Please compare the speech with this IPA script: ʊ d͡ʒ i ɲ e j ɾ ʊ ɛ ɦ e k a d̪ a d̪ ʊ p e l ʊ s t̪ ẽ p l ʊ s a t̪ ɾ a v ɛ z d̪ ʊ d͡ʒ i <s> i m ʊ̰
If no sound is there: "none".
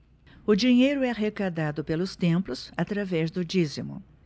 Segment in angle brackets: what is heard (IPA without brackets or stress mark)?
z